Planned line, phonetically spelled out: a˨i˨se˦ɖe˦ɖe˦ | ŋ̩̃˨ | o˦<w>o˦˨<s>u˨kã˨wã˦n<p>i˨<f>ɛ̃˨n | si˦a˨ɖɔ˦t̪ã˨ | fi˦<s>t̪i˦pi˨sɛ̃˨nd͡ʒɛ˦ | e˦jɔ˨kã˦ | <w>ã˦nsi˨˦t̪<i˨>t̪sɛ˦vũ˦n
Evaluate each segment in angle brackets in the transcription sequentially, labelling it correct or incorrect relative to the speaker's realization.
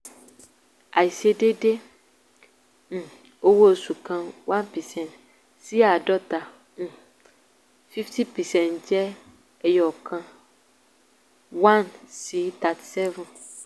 correct, correct, correct, incorrect: s, incorrect: f, correct, incorrect: a˨

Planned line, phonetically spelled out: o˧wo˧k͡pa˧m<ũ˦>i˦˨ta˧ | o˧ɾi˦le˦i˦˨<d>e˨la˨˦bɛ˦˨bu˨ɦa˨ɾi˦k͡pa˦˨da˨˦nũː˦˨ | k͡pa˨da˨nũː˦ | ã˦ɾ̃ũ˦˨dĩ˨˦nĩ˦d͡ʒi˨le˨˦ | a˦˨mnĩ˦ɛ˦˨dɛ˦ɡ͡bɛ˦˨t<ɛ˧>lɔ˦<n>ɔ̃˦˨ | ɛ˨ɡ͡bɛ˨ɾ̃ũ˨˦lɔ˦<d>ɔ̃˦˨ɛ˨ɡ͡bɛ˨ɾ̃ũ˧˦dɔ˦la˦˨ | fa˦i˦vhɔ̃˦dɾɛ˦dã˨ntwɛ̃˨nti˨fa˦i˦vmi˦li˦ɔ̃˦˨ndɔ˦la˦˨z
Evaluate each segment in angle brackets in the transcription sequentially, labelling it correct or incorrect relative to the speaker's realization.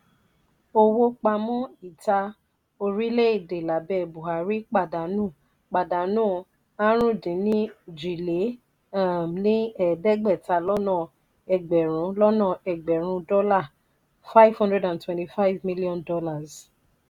incorrect: ɔ̃˦, correct, incorrect: a˧, correct, incorrect: n

